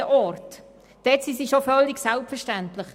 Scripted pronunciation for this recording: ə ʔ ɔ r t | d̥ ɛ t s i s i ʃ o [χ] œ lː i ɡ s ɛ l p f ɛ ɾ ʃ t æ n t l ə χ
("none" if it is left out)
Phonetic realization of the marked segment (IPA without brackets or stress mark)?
f